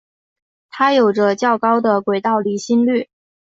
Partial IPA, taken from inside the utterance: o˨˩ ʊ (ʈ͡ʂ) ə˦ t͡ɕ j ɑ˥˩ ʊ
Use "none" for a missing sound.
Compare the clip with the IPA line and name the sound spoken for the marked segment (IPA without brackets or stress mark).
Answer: ʈ͡ʂ